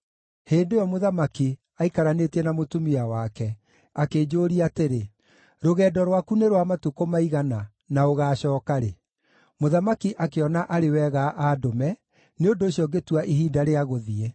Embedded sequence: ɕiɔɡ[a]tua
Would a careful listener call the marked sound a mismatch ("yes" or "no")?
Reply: yes